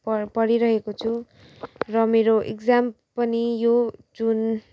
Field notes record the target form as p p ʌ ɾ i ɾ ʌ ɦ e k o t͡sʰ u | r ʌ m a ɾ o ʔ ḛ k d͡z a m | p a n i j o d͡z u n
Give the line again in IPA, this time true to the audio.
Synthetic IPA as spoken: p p ʌ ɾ i ɾ ʌ ɦ e k o t͡sʰ u | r ʌ m e ɾ o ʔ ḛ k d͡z a m | p ʌ n i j o d͡z u n